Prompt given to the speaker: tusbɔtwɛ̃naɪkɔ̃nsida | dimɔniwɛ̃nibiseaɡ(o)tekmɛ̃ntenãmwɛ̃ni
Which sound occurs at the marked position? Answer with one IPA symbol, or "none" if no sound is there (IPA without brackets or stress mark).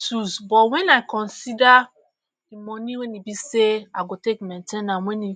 o